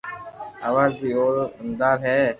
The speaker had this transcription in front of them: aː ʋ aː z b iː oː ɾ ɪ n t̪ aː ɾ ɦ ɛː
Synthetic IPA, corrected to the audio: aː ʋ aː z b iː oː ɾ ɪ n d̪ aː ɾ ɦ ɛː